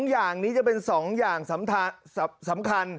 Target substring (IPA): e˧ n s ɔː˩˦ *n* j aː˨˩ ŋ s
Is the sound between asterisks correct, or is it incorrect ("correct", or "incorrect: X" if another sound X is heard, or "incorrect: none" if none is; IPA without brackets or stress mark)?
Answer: incorrect: ŋ